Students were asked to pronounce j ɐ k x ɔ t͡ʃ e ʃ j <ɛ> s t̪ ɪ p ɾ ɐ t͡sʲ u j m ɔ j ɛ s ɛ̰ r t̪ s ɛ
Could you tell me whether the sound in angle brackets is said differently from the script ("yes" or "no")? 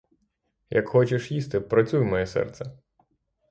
yes